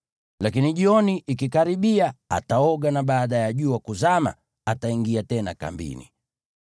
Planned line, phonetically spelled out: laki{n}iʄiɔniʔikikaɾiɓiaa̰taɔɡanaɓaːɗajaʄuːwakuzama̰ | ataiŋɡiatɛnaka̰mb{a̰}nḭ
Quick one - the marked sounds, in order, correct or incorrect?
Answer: correct, incorrect

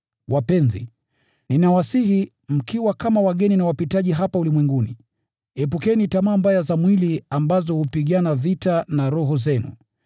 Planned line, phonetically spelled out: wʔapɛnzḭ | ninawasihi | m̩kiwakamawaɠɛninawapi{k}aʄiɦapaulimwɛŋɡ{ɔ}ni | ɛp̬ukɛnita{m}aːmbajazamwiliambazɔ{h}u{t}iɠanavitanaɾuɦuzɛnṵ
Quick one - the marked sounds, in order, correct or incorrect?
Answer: incorrect, incorrect, correct, correct, incorrect

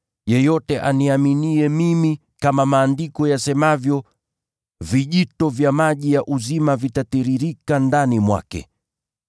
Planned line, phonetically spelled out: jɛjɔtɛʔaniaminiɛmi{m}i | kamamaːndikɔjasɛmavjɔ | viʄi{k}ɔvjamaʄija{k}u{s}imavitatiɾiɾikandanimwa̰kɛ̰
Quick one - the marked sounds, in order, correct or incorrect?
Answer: correct, incorrect, incorrect, incorrect

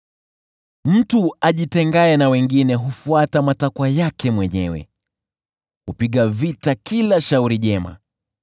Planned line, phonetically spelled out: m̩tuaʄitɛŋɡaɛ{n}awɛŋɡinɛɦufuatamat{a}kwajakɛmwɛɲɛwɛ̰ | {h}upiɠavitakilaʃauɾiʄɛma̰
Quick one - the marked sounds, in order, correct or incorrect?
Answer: correct, correct, correct

